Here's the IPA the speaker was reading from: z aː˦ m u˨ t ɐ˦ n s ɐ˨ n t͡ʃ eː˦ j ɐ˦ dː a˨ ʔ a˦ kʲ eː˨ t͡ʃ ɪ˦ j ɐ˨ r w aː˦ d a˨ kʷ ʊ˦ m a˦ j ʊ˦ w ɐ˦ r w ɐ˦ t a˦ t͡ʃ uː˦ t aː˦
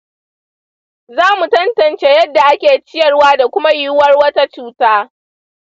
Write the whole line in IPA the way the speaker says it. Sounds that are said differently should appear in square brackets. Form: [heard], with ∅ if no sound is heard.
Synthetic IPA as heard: z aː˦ m u˨ t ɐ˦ n [t] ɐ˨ n t͡ʃ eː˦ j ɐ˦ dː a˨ ʔ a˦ kʲ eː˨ t͡ʃ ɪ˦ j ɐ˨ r w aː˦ d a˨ kʷ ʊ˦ m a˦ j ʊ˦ w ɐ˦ r w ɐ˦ t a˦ t͡ʃ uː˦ t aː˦